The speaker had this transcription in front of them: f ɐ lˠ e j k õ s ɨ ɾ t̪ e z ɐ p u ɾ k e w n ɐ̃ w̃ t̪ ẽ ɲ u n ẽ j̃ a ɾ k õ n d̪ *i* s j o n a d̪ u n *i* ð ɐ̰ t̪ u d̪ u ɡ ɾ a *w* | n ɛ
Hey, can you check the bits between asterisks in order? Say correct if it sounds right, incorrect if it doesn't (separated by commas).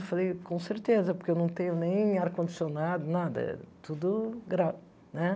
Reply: correct, incorrect, incorrect